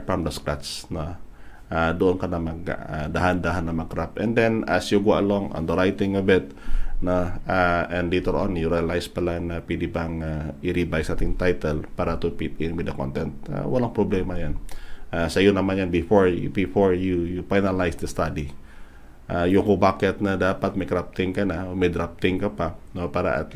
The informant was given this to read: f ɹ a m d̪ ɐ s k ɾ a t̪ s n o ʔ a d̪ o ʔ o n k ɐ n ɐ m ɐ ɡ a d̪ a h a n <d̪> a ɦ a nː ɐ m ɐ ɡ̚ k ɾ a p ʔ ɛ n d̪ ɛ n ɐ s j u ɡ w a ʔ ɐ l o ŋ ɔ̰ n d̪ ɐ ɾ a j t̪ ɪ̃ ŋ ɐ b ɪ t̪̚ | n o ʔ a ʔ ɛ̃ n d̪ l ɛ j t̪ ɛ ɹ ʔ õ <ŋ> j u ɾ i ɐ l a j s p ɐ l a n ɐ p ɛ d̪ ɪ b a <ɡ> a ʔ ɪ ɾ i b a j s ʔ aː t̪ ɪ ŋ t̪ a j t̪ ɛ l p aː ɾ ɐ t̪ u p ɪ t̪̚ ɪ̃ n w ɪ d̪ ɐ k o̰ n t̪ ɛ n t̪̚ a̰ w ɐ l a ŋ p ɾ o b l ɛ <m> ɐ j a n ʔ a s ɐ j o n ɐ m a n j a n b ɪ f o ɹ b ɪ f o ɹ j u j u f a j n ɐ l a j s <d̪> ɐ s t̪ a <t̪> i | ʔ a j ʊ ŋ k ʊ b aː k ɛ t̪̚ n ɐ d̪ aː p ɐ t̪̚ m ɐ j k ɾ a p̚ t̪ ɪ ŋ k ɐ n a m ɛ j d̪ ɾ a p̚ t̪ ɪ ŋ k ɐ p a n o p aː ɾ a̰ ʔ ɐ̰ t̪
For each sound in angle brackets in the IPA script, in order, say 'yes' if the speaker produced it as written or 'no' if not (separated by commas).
yes, no, no, yes, yes, no